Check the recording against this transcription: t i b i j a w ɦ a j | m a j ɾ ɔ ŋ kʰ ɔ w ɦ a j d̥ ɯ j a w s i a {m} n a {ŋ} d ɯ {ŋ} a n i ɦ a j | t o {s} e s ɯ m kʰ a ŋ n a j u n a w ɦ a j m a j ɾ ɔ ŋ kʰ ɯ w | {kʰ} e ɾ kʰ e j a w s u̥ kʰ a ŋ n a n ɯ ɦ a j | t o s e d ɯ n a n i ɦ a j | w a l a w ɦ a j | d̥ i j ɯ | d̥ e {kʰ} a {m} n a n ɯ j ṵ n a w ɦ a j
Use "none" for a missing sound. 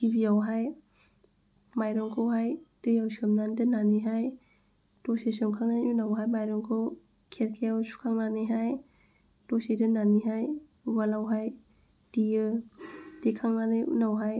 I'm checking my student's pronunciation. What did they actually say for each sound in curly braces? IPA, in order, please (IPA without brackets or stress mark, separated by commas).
m, n, n, s, kʰ, kʰ, ŋ